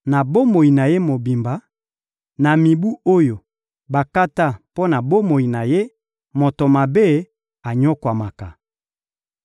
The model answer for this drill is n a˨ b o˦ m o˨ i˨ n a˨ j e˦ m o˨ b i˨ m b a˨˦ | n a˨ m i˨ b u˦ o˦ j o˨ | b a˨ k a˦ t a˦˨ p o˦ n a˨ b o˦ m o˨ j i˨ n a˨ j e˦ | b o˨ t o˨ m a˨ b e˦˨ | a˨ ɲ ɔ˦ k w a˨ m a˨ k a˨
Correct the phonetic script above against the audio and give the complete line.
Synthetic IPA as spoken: n a˨ b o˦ m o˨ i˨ n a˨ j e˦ m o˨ b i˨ m b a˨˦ | n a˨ m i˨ b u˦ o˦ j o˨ | b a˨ k a˦ t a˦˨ p o˦ n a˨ b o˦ m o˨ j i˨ n a˨ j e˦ | m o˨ t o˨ m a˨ b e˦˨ | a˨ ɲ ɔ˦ k w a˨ m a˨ k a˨